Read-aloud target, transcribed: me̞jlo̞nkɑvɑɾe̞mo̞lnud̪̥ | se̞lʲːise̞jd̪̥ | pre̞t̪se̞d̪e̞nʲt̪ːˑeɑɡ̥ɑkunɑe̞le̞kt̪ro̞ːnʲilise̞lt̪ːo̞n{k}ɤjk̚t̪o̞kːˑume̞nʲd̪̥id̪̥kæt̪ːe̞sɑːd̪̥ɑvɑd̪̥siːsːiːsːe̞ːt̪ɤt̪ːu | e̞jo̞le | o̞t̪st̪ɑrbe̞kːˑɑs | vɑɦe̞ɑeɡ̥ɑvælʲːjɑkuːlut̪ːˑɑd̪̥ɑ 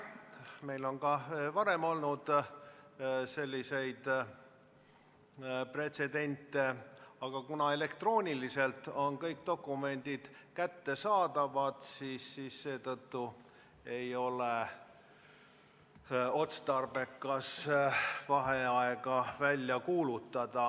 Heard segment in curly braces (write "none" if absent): k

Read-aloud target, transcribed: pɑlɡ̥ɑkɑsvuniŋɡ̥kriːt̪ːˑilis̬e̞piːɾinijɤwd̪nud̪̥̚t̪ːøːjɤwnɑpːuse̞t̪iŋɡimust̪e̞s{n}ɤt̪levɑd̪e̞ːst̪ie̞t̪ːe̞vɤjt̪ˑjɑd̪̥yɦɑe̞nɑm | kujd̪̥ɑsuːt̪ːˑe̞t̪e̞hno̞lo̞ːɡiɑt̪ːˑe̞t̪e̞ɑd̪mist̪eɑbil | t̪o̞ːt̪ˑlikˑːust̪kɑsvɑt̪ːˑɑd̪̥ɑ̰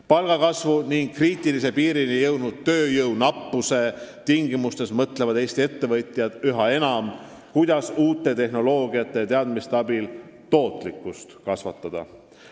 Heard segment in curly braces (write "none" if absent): m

